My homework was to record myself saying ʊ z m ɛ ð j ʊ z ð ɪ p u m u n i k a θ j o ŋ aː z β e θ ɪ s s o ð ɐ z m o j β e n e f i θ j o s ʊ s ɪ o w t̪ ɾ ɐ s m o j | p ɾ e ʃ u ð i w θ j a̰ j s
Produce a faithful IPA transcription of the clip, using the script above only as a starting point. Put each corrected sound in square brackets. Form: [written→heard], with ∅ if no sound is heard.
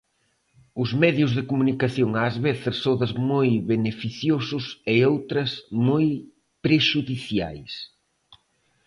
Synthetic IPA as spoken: ʊ z m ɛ ð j ʊ z ð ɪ [p→k] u m u n i k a θ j o ŋ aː z β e θ ɪ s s o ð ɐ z m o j β e n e f i θ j o s ʊ s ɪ o w t̪ ɾ ɐ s m o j | p ɾ e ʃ u ð i [w→∅] θ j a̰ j s